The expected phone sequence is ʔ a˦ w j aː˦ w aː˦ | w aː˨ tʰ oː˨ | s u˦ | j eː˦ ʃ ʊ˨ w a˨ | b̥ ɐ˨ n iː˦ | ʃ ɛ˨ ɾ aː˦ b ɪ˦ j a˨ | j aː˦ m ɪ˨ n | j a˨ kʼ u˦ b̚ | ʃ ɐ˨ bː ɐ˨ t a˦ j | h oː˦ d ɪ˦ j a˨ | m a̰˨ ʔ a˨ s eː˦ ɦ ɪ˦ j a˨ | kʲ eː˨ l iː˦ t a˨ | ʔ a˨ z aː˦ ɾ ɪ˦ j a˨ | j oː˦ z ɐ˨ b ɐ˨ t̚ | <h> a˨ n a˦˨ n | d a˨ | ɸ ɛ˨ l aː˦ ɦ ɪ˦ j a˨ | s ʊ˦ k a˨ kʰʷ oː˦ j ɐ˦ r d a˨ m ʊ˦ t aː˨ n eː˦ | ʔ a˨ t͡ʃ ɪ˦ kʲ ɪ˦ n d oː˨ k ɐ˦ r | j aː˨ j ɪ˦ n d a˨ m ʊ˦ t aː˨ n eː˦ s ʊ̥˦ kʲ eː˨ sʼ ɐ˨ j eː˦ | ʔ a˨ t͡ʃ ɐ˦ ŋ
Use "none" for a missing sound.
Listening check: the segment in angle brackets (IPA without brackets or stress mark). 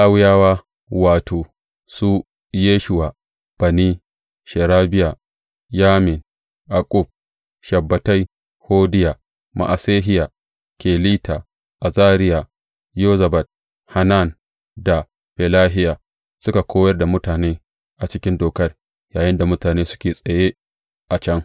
h